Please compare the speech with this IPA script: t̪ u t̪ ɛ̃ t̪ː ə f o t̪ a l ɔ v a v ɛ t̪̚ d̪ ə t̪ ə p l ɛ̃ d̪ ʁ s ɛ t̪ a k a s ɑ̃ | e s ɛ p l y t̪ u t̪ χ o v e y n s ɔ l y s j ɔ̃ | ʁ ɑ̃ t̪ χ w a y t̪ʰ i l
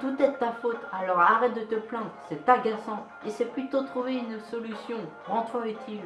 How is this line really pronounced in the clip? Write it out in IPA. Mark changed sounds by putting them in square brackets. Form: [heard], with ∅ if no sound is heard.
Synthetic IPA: t̪ u t̪ [ɛ] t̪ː [a] f o t̪ a l ɔ [ʁ] a [ʁ] ɛ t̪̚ d̪ ə t̪ ə p l ɛ̃ d̪ ʁ s ɛ t̪ a [ɡ] a s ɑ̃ | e s ɛ p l y t̪ [o] t̪ χ [u] v e y n s ɔ l y s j ɔ̃ | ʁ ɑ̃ t̪ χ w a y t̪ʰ i l